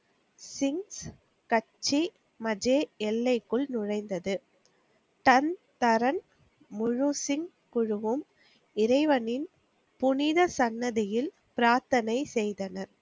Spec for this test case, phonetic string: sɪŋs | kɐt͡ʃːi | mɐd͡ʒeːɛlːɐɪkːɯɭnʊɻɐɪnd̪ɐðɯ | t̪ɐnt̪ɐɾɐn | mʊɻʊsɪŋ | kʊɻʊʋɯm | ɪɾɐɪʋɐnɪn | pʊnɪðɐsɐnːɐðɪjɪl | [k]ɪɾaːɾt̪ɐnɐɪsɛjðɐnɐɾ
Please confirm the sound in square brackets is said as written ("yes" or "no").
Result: no